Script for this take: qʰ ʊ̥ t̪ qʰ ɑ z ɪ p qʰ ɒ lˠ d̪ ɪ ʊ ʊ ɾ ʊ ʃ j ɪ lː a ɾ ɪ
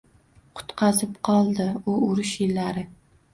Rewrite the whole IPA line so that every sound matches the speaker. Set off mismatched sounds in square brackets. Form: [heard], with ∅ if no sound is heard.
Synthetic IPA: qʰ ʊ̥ t̪ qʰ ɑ z ɪ p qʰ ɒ lˠ d̪ ɪ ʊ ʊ ɾ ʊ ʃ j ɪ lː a ɾ ɪ